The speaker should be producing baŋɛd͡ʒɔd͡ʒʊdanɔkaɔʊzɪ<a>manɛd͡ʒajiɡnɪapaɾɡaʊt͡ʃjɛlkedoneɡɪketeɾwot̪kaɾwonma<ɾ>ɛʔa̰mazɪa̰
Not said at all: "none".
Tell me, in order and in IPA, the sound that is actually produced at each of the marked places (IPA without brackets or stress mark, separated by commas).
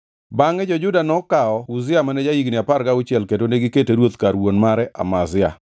a, ɾ